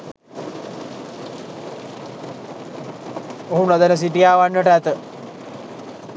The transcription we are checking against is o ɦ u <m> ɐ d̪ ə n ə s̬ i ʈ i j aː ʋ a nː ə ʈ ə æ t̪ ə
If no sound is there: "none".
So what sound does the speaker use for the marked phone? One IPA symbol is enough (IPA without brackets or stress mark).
n